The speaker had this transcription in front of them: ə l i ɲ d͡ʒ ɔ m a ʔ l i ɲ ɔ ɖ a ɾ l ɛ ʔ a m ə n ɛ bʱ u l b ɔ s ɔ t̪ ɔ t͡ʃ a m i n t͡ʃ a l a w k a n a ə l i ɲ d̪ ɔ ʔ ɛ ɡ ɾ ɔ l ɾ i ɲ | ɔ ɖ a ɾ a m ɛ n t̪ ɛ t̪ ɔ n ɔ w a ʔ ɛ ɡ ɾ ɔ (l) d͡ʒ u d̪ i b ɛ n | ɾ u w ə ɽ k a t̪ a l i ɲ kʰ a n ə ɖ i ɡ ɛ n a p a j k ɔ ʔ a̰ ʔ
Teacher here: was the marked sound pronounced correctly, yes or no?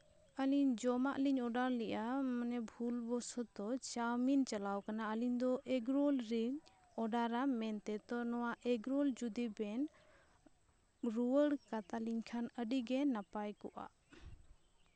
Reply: yes